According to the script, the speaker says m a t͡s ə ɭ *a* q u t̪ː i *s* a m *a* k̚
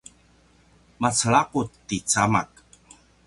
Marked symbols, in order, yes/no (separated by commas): yes, no, yes